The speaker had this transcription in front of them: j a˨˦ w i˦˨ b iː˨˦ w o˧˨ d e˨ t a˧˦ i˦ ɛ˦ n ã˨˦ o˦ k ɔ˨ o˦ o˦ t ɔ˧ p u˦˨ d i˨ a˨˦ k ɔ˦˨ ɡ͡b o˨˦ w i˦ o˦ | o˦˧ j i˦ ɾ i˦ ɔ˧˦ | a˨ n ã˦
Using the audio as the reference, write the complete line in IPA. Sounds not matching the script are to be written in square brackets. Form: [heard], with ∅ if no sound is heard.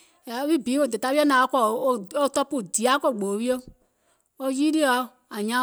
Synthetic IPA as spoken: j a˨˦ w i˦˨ b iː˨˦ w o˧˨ d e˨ t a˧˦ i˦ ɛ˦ n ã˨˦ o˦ k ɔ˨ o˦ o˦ t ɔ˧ p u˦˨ d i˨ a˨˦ k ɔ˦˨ ɡ͡b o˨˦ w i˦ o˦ | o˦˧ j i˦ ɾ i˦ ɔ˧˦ | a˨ [ɲ] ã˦